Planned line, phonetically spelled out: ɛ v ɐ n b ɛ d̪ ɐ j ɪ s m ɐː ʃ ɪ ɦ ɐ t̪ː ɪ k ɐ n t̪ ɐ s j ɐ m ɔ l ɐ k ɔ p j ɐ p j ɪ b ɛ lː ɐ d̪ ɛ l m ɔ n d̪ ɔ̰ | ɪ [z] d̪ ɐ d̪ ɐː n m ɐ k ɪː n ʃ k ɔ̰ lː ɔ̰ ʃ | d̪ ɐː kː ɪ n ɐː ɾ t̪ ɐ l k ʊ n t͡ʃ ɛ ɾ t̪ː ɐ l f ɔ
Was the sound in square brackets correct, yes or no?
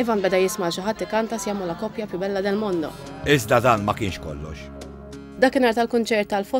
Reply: yes